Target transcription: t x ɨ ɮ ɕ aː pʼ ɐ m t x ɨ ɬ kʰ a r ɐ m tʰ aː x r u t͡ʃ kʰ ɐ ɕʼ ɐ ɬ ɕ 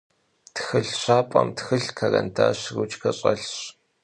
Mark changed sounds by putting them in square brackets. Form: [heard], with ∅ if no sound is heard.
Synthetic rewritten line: t x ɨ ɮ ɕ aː pʼ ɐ m t x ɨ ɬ kʰ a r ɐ [n] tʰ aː [ɕ] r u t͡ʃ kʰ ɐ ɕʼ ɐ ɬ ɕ

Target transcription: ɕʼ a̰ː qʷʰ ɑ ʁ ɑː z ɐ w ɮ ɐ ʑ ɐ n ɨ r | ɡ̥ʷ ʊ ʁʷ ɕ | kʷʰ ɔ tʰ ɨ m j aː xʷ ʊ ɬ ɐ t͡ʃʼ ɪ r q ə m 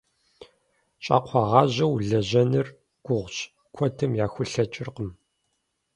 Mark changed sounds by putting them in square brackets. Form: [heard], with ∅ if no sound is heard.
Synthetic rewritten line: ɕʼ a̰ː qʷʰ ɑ ʁ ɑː [ʑ] ɐ w ɮ ɐ ʑ ɐ n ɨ r | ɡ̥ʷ ʊ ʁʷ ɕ | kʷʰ ɔ tʰ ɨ m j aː xʷ ʊ ɬ ɐ t͡ʃʼ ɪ r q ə m

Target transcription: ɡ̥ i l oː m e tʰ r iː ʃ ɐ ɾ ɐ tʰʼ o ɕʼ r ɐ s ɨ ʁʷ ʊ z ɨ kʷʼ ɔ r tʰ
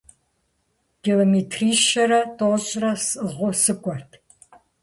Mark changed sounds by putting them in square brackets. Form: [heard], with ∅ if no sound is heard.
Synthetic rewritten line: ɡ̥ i l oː m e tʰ r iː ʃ ɐ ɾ ɐ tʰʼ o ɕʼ r ɐ s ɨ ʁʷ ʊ [s] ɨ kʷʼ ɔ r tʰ

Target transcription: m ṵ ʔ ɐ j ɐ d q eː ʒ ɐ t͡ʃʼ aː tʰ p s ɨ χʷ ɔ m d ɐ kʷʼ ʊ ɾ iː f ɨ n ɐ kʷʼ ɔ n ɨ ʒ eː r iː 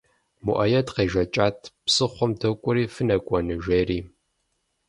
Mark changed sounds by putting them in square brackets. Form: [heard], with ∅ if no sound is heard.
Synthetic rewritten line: m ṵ ʔ ɐ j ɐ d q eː ʒ ɐ t͡ʃʼ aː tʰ p s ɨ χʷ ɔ m d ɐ kʷʼ ʊ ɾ iː f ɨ n ɐ kʷʼ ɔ n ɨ ʒ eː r iː

